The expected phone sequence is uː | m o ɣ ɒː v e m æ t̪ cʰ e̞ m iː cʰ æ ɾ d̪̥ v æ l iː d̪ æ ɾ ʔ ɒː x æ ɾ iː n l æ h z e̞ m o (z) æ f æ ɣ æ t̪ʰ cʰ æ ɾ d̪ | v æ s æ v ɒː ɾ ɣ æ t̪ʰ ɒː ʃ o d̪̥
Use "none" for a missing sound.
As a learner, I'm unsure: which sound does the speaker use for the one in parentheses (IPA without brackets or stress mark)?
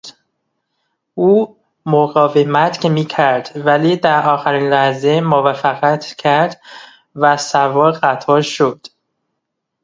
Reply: v